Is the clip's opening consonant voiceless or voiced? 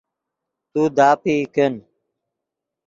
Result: voiceless